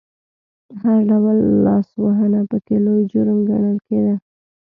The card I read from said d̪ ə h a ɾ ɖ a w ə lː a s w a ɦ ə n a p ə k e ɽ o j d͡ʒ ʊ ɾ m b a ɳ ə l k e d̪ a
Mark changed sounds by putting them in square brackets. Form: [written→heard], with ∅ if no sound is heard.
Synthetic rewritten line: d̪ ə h a ɾ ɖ a w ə lː [a→ɑ] s w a ɦ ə n a p ə k e [ɽ→l] o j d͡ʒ ʊ ɾ m [b→ɡ] a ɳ ə l k e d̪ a